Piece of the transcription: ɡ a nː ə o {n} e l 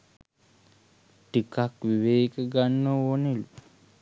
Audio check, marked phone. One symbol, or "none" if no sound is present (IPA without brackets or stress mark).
n